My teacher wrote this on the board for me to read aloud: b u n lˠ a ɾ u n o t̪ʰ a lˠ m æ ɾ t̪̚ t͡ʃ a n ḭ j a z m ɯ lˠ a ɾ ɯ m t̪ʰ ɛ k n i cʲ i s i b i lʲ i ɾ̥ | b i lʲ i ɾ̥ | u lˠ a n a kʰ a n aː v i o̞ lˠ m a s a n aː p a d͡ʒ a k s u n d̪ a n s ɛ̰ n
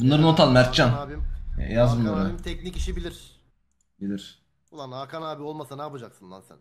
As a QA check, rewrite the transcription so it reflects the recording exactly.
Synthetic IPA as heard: b u n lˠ a ɾ ɯ n o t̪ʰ a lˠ m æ ɾ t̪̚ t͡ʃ a n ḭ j a z m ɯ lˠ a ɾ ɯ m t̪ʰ ɛ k n i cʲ i ʃ i b i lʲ i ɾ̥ | b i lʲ i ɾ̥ | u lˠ a n a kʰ a n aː b i o̞ lˠ m a s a n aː p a d͡ʒ a k s ɯ n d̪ a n s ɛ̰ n